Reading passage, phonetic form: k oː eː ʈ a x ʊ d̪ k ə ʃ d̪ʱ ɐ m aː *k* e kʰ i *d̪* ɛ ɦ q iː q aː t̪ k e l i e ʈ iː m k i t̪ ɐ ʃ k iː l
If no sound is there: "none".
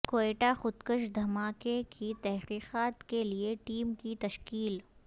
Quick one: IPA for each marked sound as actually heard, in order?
k, t̪

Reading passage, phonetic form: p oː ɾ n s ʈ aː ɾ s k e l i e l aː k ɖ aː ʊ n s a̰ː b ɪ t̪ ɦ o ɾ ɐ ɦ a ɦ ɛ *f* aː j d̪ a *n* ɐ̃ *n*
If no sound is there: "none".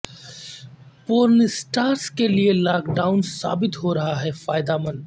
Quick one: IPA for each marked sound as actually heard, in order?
f, m, n

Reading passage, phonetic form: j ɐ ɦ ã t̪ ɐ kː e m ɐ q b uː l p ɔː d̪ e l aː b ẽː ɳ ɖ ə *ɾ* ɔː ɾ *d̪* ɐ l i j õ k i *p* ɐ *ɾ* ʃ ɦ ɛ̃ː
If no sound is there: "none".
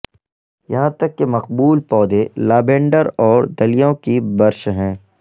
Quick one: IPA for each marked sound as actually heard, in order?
ɾ, d̪, b, ɾ

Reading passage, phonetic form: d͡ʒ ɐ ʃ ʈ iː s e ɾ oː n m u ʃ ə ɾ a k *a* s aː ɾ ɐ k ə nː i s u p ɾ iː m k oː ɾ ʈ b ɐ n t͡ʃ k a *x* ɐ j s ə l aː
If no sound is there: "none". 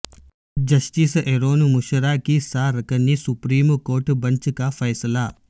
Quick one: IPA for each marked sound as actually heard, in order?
i, f

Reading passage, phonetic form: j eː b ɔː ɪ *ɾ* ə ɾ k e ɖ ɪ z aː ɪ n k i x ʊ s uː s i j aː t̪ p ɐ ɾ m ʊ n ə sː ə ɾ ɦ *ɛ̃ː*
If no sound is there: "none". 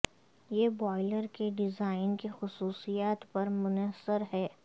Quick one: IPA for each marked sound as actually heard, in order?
l, ɛː

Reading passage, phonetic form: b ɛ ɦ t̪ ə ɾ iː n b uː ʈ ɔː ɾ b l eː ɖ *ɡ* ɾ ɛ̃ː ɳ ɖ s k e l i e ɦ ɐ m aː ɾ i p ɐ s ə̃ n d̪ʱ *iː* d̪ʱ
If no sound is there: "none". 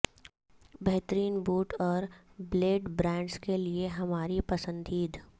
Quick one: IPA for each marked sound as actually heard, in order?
b, iː

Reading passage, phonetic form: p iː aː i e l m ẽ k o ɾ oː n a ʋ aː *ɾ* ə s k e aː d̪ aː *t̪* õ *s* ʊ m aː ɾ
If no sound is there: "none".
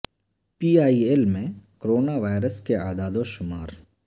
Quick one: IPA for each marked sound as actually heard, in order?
ɾ, d̪, ʃ

